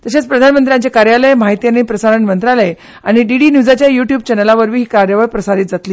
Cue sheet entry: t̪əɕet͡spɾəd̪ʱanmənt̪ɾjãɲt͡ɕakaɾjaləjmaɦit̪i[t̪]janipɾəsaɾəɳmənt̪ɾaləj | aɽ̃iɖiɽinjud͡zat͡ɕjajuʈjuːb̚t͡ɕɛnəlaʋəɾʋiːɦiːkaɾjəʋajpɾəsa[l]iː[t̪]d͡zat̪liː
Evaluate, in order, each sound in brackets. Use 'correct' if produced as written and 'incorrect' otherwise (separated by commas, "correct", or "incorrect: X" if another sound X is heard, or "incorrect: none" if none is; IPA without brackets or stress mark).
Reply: incorrect: none, incorrect: ɾ, correct